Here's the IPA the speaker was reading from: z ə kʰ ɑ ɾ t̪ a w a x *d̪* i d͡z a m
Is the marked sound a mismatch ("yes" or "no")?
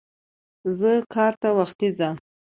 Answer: yes